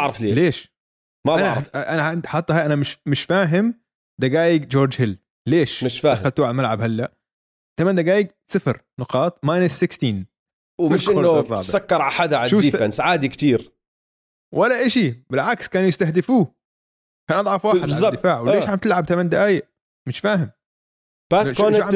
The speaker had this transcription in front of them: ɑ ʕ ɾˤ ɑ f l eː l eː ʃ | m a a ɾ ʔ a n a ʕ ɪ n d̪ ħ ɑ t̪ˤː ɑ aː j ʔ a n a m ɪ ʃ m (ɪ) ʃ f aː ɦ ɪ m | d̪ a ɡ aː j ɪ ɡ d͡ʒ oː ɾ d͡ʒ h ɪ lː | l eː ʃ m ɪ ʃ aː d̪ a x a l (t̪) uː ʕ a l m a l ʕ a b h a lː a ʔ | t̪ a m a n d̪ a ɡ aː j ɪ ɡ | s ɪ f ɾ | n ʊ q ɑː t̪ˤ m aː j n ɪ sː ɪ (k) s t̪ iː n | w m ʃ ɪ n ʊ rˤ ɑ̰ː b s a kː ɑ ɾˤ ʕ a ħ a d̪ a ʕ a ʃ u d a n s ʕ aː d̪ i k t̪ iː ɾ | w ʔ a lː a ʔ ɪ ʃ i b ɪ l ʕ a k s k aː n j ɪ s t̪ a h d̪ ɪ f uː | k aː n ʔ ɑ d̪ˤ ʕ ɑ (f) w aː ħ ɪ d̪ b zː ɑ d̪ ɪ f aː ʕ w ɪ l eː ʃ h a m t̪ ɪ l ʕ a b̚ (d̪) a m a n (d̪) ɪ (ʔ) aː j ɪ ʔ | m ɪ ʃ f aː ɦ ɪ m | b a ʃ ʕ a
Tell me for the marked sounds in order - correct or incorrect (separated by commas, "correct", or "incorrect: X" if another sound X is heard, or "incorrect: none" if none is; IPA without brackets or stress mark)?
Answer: correct, correct, correct, correct, incorrect: t̪, correct, correct